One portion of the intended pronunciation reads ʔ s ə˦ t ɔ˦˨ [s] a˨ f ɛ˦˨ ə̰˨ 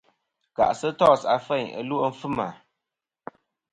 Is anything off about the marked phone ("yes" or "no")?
no